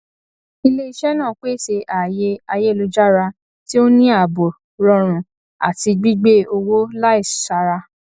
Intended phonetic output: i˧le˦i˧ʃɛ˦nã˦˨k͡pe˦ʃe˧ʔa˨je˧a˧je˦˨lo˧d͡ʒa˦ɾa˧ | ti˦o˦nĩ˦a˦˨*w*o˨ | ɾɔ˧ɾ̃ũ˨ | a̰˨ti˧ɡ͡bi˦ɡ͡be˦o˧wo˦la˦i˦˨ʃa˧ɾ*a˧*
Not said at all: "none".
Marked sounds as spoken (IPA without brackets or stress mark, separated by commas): b, a˧